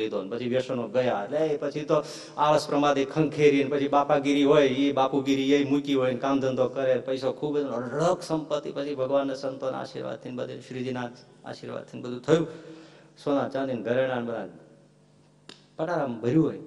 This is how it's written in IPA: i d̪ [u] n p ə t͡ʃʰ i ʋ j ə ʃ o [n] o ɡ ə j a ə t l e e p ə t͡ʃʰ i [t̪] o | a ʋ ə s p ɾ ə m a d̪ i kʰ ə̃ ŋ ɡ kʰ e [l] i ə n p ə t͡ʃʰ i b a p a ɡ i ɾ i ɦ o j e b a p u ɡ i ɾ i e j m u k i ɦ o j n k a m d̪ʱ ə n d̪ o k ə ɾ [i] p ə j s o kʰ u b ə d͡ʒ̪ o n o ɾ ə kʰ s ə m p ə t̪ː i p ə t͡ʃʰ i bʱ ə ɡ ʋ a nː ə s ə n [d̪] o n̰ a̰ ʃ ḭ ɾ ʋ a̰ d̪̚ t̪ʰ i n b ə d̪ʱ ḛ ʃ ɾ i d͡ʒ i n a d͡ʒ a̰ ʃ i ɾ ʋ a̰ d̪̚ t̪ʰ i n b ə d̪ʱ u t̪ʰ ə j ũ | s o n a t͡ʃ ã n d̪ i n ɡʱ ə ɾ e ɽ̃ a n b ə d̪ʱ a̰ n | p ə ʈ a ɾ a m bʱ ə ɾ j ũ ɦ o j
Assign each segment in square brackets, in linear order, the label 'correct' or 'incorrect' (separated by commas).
incorrect, correct, correct, incorrect, incorrect, incorrect